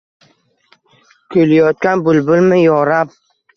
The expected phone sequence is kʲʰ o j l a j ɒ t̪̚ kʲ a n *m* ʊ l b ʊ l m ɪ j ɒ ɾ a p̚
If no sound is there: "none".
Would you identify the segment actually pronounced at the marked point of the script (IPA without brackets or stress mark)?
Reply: b